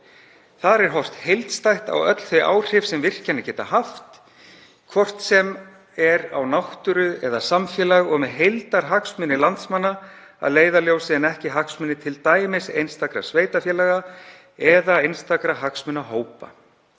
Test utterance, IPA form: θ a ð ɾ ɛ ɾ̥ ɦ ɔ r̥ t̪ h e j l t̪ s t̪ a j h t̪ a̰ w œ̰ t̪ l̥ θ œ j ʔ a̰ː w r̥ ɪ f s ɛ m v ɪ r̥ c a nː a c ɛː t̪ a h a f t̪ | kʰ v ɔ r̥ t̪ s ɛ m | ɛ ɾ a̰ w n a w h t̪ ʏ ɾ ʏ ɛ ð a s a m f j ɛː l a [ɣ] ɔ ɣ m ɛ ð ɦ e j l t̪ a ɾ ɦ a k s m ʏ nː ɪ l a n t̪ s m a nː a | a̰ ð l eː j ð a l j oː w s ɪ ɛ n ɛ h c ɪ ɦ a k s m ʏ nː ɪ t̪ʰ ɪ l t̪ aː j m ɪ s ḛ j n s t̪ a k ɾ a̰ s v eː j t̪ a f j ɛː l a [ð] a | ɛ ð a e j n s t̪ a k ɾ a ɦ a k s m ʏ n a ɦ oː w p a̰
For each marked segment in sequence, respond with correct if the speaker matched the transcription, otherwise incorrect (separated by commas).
correct, incorrect